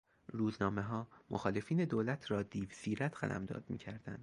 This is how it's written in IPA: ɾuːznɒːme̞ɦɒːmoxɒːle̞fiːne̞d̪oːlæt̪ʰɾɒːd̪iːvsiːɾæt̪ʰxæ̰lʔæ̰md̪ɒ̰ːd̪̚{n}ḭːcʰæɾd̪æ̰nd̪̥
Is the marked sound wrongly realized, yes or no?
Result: yes